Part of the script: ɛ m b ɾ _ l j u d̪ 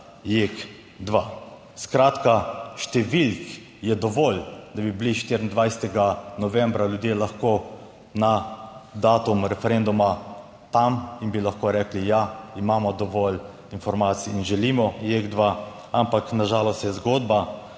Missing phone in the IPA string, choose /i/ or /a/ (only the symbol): a